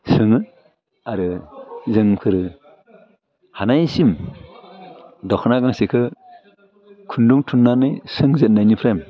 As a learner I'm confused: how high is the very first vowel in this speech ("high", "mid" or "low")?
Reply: high